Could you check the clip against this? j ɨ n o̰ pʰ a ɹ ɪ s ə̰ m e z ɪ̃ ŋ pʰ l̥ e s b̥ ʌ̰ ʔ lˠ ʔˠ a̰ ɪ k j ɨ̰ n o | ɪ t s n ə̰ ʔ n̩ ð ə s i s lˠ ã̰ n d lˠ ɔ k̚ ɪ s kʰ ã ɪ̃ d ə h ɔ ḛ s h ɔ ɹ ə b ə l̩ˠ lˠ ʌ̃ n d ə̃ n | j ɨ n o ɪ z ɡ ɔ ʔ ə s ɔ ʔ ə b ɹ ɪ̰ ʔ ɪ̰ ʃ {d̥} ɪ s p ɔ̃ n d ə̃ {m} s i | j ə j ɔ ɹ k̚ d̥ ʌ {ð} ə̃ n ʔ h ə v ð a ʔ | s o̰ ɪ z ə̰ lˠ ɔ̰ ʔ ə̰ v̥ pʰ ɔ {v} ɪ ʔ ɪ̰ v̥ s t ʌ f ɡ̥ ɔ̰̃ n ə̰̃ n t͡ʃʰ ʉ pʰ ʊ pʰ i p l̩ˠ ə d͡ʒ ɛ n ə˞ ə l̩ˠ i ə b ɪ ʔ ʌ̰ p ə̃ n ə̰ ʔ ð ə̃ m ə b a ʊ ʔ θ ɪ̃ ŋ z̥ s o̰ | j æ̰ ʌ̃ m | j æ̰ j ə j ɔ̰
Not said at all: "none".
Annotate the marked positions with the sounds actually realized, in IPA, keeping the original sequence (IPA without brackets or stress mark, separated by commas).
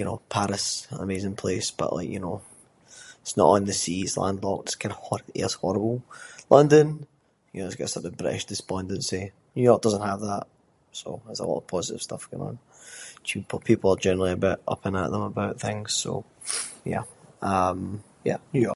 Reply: d̥, n, z, z